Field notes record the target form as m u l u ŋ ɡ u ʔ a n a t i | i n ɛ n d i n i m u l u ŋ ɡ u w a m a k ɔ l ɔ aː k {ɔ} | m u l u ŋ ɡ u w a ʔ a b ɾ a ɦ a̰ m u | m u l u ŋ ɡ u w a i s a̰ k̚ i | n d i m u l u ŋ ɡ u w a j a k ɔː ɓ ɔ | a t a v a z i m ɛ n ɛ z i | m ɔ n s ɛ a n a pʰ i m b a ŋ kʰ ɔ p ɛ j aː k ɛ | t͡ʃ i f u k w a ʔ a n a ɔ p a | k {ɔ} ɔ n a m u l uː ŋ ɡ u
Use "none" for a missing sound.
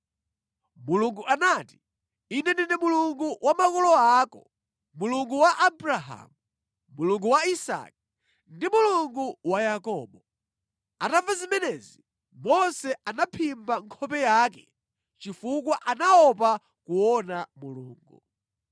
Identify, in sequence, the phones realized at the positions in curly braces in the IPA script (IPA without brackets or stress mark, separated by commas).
ɔ, u